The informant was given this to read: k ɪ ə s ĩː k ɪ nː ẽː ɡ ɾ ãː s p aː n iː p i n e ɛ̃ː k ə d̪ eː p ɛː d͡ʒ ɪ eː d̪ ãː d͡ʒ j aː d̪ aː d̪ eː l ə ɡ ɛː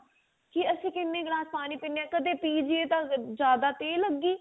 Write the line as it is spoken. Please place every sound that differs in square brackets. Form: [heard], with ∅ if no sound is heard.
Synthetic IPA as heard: k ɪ ə s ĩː k ɪ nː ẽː ɡ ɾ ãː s p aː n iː p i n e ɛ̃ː k ə d̪ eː p [iː] d͡ʒ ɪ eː [t̪] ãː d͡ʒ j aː d̪ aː [t̪] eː l ə ɡ [iː]